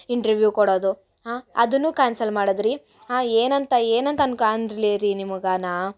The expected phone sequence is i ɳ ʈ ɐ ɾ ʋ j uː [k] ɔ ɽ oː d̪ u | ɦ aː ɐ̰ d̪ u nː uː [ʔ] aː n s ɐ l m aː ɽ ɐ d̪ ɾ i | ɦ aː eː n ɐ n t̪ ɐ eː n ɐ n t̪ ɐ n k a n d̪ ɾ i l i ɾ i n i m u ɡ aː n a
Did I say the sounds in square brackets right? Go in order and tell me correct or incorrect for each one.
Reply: correct, incorrect: k

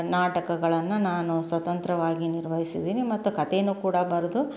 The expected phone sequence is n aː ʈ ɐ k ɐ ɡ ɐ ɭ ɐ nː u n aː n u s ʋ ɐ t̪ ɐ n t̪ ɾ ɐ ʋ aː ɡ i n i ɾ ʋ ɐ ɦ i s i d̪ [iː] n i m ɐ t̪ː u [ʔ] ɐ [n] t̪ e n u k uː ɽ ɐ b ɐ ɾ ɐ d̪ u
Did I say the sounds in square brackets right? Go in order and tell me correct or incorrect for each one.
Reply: correct, incorrect: k, incorrect: none

